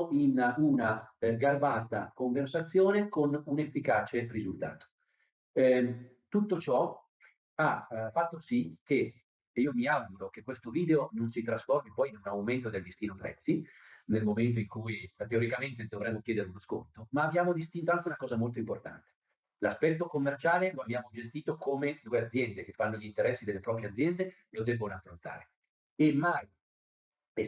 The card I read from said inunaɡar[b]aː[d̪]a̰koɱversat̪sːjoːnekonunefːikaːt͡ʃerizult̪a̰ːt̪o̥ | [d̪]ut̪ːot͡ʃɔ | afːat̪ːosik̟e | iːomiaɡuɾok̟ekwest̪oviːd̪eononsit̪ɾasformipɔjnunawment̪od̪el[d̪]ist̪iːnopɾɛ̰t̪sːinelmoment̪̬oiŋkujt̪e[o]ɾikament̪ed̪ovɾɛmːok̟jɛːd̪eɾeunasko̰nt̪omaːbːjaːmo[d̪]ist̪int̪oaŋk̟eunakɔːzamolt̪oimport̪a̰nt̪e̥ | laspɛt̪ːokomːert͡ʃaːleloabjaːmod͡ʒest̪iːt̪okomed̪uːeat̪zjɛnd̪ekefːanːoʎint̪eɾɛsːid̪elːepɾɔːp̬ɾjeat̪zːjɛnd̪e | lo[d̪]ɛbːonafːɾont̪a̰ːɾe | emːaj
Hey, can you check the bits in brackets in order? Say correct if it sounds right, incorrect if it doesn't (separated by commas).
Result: correct, incorrect, incorrect, correct, correct, correct, correct